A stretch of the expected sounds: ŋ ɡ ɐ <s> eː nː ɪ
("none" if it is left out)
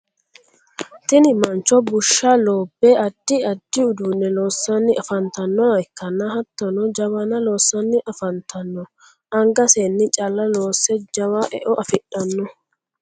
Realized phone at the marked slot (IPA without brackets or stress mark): s